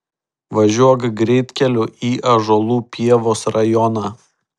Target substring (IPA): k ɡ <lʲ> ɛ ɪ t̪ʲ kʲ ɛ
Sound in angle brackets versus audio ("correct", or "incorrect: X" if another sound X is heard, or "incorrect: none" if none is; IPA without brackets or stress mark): incorrect: ɾʲ